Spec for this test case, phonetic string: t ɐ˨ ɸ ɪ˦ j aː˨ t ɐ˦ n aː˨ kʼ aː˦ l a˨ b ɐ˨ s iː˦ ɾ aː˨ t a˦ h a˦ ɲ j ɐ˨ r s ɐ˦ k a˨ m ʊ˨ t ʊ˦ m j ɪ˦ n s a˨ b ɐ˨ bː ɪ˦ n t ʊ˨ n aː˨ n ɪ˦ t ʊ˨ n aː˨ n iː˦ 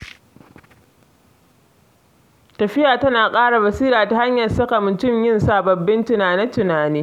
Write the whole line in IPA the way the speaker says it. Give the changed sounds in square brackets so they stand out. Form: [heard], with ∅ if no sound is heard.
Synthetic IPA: t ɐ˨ ɸ ɪ˦ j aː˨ t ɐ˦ n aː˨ kʼ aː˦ [ɽ] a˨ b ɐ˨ s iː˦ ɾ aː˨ t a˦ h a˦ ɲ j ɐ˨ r s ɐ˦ k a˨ m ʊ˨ t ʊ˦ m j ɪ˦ n s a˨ b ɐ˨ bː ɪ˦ n t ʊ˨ n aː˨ n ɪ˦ t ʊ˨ n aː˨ n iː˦

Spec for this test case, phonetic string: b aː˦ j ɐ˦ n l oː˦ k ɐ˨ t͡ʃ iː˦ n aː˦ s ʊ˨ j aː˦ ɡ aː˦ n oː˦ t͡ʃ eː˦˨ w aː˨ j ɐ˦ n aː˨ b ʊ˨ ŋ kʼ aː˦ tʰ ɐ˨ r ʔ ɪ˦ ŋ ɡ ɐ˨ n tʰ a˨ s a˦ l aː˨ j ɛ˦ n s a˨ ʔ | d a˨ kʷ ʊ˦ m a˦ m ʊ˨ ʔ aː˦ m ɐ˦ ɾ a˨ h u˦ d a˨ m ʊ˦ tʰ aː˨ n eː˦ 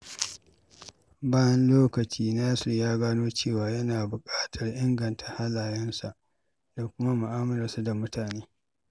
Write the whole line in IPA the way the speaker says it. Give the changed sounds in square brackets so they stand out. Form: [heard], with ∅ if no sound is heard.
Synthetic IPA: b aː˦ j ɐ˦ n l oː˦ k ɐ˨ t͡ʃ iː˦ n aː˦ s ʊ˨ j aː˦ ɡ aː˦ n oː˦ t͡ʃ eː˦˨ w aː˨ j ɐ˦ n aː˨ b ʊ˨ [∅] kʼ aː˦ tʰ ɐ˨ r ʔ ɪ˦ ŋ ɡ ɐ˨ n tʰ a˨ [h] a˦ l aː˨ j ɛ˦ n s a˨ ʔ | d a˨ kʷ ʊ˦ m a˦ m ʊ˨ ʔ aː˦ m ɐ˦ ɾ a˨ [s] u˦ d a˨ m ʊ˦ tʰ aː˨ n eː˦

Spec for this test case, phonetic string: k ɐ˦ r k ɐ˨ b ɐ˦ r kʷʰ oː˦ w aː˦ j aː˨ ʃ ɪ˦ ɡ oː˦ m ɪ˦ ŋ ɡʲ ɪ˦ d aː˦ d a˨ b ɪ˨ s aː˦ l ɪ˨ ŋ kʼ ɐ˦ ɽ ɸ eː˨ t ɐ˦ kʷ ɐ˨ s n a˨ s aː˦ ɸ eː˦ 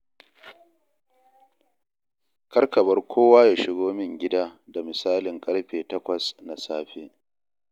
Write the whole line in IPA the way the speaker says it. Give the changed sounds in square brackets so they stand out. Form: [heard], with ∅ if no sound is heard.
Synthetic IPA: k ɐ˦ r k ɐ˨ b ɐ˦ r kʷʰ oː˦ w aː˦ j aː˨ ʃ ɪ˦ ɡ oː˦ m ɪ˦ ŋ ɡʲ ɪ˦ d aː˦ d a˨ [m] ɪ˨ s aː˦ l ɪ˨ ŋ kʼ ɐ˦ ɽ ɸ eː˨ t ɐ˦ kʷ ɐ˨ s n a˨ s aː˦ ɸ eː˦

